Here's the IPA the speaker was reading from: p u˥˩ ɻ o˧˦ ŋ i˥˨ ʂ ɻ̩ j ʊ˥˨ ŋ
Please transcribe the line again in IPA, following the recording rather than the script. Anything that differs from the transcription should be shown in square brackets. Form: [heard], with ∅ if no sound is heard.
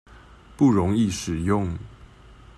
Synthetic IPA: p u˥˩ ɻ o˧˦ ŋ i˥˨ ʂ ɻ̩ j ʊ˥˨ ŋ